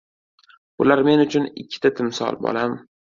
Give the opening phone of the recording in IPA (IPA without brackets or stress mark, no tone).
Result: b